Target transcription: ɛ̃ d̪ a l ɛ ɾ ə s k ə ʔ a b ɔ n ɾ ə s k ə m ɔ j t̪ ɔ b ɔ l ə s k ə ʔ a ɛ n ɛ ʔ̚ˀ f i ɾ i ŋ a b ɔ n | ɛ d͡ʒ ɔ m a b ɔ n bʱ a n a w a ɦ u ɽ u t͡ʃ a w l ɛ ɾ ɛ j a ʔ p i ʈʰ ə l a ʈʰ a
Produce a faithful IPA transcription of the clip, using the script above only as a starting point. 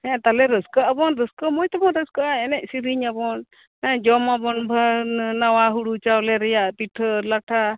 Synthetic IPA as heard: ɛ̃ t̪ a l ɛ ɾ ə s k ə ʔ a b ɔ n ɾ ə s k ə m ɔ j t̪ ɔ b ɔ ɾ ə s k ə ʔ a ɛ n ɛ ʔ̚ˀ s i ɾ i ɲ a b ɔ n | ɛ d͡ʒ ɔ m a b ɔ n bʱ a n a w a ɦ u ɽ u t͡ʃ a w l ɛ ɾ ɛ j a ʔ p i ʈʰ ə l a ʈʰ a